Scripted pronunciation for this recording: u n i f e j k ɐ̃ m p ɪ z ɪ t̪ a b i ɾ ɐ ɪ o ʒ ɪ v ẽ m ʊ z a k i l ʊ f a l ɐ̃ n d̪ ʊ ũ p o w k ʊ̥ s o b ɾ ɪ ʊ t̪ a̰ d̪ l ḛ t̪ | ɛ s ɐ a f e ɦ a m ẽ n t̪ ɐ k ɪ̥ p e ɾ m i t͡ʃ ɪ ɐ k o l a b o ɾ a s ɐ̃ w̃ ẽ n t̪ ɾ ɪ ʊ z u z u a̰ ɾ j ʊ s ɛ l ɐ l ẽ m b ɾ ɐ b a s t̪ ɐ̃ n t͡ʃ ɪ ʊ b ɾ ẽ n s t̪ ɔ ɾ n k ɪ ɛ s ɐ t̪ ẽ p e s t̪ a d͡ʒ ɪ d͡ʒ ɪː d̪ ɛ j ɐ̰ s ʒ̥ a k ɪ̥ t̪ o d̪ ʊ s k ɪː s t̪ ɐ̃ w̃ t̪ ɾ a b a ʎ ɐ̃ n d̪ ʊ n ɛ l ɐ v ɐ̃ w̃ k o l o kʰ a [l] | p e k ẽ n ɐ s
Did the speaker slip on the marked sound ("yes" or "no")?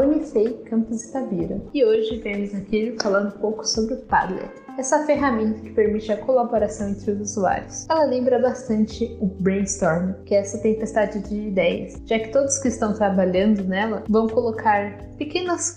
yes